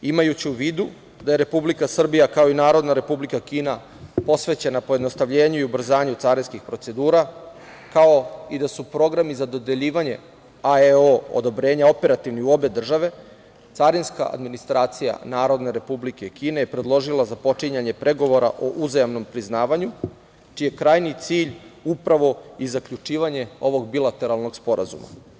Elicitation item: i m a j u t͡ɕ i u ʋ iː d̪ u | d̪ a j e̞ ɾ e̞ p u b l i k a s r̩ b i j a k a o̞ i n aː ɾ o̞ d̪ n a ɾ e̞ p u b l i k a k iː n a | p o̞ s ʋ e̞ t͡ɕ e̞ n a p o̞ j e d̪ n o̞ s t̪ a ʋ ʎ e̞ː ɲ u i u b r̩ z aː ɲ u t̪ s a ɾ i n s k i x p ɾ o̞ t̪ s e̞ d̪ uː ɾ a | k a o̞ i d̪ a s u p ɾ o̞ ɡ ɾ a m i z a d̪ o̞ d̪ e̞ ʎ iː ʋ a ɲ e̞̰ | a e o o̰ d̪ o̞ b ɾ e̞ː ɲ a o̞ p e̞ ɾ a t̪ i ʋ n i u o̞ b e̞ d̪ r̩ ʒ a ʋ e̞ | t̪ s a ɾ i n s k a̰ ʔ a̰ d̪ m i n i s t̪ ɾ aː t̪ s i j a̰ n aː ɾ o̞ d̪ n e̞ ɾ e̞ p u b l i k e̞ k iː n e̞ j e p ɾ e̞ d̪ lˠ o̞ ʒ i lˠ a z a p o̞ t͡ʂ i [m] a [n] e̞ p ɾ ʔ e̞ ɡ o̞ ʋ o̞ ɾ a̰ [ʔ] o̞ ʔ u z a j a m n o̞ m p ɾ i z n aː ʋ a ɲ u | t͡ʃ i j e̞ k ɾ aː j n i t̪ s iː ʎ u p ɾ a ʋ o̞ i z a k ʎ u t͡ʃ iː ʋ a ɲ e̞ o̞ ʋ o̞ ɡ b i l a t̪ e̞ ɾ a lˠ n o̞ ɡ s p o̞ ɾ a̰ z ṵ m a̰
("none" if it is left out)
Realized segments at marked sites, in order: ɲ, ɲ, ʔ

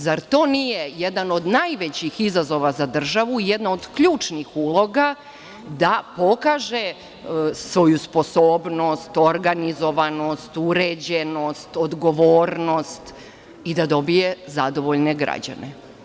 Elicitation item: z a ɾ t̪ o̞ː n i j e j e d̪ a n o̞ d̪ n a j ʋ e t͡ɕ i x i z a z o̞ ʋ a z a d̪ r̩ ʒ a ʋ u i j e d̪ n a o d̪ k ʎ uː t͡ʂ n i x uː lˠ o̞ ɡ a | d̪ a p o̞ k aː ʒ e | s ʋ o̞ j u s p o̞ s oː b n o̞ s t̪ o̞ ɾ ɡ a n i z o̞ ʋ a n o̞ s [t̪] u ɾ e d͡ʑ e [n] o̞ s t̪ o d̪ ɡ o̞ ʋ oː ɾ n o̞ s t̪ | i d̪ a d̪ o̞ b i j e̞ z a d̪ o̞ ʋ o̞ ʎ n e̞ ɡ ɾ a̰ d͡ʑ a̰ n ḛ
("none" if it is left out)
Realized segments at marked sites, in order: t̪, n

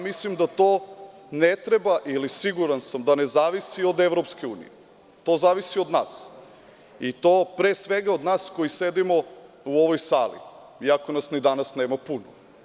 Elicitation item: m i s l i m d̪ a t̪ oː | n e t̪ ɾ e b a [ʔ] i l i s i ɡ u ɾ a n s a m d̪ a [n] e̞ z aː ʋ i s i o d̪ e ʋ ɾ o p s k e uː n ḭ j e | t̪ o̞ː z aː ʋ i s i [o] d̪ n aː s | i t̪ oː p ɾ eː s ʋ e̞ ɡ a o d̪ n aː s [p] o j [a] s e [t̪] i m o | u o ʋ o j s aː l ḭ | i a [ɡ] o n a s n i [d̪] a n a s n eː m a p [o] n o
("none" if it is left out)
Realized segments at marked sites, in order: ʔ, n, o, k, i, d̪, k, d̪, u

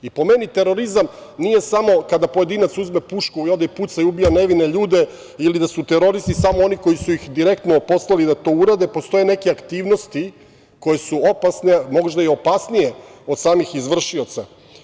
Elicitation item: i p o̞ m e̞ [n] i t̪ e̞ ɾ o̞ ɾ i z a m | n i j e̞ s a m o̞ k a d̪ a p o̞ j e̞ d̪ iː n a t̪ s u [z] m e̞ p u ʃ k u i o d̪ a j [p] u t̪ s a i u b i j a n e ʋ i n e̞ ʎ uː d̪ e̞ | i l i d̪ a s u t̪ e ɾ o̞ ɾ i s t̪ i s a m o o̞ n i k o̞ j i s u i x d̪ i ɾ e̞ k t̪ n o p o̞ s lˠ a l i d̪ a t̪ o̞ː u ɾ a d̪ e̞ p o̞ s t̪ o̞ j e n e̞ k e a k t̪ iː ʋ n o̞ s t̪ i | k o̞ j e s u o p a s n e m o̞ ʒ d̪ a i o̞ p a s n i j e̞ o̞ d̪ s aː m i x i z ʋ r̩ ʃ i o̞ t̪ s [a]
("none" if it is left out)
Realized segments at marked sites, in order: n, z, p, a

